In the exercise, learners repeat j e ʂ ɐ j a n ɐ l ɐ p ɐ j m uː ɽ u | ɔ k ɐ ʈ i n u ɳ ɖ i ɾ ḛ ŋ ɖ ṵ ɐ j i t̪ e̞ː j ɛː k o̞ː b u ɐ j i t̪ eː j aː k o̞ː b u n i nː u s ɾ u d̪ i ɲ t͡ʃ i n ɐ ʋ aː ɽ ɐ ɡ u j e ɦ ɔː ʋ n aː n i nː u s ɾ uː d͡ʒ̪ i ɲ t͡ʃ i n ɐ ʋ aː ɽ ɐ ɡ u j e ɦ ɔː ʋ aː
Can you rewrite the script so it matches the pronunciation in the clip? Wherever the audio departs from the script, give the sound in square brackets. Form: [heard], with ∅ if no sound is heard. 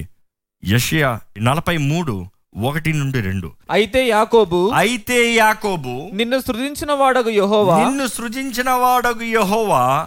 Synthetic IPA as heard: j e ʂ ɐ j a n ɐ l ɐ p ɐ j m uː ɽ u | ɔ k ɐ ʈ i n u ɳ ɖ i ɾ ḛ [ɳ] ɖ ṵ ɐ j i t̪ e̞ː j [aː] k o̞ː b u ɐ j i t̪ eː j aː k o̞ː b u n i nː u s ɾ u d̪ i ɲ t͡ʃ i n ɐ ʋ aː ɽ ɐ ɡ u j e ɦ ɔː ʋ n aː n i nː u s ɾ [u] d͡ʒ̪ i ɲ t͡ʃ i n ɐ ʋ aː ɽ ɐ ɡ u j e ɦ ɔː ʋ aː